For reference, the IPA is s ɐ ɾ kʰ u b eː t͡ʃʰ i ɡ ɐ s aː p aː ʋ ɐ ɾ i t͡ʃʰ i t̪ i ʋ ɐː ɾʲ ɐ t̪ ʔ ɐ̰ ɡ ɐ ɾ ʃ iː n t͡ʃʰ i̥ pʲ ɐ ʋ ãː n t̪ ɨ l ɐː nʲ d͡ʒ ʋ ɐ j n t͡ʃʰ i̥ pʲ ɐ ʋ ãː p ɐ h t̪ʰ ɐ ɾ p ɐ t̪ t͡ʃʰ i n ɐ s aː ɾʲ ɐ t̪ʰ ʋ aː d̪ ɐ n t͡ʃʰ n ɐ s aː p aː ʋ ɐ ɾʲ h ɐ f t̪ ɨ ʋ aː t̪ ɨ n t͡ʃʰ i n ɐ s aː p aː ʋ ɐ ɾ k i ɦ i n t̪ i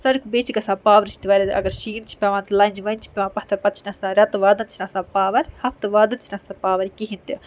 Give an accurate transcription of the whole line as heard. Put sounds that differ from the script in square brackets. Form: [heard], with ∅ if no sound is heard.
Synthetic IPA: s ɐ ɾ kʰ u b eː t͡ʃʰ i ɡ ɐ s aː p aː ʋ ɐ ɾ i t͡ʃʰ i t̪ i ʋ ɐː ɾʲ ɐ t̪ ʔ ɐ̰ ɡ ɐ ɾ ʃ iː n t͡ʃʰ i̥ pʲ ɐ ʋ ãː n t̪ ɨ l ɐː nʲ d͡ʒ ʋ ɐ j n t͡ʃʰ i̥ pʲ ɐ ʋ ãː p ɐ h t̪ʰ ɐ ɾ p ɐ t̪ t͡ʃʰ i n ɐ s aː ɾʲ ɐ [t̪] ʋ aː d̪ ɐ n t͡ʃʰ n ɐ s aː p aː ʋ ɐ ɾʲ h ɐ f t̪ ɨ ʋ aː [d̪] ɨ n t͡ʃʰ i n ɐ s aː p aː ʋ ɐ ɾ k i ɦ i n t̪ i